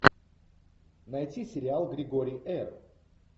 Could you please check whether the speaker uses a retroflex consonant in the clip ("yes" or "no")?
no